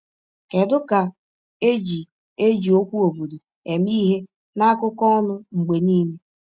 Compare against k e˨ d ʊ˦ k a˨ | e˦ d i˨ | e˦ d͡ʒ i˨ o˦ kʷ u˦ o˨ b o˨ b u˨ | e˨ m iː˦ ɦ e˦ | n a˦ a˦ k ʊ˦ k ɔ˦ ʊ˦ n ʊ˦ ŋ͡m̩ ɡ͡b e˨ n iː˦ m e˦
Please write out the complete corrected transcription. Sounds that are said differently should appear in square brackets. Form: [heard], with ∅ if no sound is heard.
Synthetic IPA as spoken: k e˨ d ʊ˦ k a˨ | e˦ [d͡ʒ] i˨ | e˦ d͡ʒ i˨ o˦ kʷ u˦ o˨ b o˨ [d] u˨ | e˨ m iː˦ ɦ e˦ | n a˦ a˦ k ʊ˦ k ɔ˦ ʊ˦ n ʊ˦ ŋ͡m̩ ɡ͡b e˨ n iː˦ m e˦